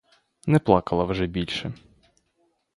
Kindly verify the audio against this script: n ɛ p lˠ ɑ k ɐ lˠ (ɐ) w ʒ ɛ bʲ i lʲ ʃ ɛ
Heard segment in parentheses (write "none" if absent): ɐ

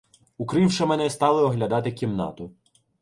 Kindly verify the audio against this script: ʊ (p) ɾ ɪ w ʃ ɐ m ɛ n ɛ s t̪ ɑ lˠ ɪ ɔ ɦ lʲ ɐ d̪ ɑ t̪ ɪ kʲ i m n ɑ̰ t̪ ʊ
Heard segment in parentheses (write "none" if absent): k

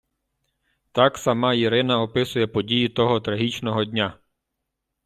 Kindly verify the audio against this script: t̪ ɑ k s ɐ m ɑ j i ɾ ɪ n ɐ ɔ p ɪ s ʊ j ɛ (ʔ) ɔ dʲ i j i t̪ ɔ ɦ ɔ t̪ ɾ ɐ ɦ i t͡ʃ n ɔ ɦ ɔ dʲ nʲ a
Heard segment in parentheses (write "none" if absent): p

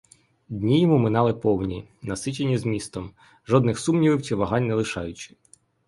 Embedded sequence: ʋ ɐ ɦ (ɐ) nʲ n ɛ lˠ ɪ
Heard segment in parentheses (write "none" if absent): ɑ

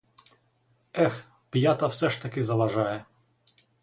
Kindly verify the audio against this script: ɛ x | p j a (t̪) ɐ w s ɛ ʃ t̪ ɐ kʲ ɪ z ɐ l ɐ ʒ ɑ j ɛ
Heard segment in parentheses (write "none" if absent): t̪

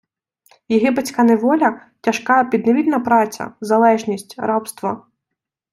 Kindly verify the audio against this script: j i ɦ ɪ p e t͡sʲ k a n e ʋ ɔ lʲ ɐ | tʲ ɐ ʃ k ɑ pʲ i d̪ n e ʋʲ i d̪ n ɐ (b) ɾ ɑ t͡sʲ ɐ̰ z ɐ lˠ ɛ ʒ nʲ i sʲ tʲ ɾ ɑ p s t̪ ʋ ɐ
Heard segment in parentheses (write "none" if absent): p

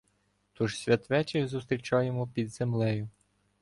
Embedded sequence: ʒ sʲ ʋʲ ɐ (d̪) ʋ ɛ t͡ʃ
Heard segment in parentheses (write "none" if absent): t̪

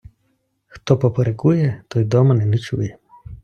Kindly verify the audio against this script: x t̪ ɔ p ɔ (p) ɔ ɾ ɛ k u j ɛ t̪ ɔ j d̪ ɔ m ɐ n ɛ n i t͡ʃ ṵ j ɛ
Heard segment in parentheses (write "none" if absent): p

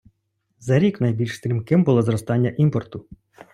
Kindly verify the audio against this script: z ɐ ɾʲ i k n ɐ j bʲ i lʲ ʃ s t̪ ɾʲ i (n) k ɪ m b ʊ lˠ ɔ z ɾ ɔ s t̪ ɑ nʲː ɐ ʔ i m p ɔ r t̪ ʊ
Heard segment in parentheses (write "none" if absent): m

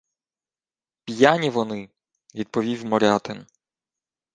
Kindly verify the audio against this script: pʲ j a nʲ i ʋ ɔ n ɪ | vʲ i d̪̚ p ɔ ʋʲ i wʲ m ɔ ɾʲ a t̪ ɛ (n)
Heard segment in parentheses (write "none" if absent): n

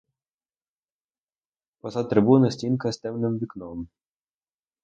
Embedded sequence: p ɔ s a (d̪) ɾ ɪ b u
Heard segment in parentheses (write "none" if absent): t̪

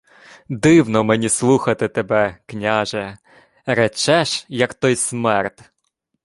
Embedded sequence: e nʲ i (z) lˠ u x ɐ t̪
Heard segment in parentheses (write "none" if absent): s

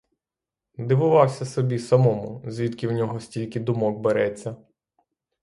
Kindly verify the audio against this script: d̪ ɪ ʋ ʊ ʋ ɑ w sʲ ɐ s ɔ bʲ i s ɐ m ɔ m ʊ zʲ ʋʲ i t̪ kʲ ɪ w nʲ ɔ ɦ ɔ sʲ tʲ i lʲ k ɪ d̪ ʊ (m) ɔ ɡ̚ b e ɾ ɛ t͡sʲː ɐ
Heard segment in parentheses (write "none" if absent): m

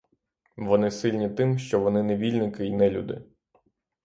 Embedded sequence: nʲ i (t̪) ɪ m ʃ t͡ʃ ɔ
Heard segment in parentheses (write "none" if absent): t̪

